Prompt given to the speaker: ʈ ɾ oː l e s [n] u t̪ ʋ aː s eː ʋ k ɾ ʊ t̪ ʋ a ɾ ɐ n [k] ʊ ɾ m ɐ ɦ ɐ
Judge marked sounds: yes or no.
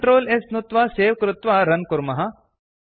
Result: yes, yes

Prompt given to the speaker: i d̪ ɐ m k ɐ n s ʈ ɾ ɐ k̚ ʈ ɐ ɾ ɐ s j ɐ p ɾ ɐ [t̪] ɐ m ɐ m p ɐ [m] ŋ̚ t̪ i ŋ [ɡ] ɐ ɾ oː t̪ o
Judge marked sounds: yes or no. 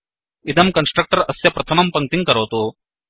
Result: no, no, no

